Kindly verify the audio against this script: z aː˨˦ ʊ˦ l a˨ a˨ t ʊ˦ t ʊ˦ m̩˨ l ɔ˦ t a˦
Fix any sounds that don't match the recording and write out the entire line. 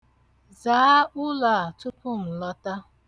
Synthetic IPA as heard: z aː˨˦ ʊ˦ l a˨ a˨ t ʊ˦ p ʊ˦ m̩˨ l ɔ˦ t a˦